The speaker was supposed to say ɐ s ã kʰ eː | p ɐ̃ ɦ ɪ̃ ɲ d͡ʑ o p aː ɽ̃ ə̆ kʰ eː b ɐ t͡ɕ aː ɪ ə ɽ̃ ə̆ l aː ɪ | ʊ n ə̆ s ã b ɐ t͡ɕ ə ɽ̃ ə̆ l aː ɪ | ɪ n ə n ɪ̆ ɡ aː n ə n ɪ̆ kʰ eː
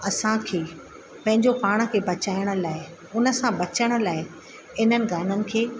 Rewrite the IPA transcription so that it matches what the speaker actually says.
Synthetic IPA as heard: ɐ s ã kʰ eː | p ɐ̃ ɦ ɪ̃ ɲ d͡ʑ o p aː ɽ̃ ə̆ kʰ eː b ɐ t͡ɕ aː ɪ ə ɽ̃ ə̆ l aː ɪ | ʊ n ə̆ s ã b ɐ t͡ɕ ə ɽ̃ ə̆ l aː ɪ | ɪ n ə n ɪ̆ ɡ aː n ə n ɪ̆ kʰ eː